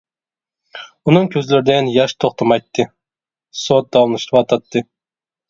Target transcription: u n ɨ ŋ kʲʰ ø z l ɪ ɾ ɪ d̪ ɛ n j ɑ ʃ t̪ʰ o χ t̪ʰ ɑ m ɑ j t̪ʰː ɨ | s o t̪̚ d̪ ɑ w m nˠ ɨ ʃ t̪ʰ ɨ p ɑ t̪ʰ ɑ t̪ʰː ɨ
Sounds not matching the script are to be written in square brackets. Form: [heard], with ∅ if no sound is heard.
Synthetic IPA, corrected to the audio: u n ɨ ŋ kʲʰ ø z l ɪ ɾ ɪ d̪ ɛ n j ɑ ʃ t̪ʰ o χ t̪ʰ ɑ m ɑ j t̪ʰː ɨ | s o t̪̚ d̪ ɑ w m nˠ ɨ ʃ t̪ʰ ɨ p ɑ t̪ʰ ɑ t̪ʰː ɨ